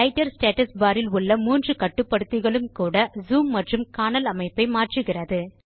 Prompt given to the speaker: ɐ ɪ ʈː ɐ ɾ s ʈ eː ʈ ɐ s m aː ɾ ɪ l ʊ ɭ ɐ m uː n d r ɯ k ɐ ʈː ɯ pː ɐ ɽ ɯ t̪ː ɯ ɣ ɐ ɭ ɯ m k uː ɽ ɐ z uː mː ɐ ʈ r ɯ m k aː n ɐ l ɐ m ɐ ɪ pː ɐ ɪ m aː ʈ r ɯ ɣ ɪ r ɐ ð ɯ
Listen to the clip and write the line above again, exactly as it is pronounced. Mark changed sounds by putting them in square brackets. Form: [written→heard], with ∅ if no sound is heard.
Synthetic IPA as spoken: ɐ ɪ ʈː ɐ ɾ s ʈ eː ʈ ɐ s [m→b] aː ɾ ɪ l ʊ [ɭ→ɭː] ɐ m uː n d r ɯ k ɐ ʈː ɯ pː ɐ ɽ ɯ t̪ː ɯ ɣ ɐ ɭ ɯ m k uː ɽ ɐ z uː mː ɐ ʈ r ɯ m k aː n ɐ l ɐ m ɐ ɪ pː ɐ ɪ m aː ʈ r ɯ ɣ ɪ r ɐ ð ɯ